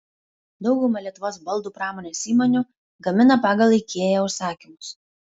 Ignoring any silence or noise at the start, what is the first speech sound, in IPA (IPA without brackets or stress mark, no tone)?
d̪